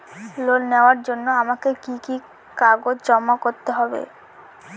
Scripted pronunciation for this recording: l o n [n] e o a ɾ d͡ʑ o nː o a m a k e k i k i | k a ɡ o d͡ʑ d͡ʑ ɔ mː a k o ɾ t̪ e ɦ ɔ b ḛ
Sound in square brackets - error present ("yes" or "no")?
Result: no